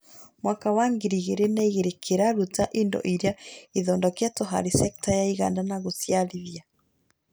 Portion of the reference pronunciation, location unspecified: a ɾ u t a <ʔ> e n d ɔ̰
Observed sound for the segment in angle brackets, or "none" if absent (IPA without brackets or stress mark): ʔ